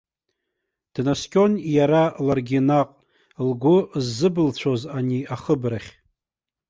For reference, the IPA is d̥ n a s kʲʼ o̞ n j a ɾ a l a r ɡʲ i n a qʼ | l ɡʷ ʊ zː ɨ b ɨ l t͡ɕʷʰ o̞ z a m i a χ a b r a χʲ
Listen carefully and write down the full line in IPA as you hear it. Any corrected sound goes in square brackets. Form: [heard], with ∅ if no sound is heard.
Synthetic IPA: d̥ n a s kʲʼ o̞ n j a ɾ a l a r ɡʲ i n a qʼ | l ɡʷ ʊ zː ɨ b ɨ l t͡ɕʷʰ o̞ z a [n] i a χ [ə] b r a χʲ